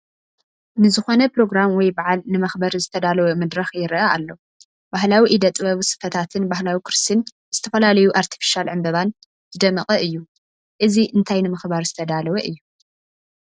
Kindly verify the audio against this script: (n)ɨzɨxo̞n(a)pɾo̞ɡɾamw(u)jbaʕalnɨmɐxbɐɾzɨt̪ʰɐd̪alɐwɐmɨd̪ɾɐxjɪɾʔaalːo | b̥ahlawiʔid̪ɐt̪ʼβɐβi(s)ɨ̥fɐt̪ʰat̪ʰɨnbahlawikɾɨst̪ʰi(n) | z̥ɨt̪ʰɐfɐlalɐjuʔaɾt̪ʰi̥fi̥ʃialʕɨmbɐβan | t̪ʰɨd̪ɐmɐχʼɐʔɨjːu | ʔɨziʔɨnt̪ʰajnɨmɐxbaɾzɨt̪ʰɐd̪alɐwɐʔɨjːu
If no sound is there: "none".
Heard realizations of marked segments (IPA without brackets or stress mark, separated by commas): n, ɐ, ɔ, s, n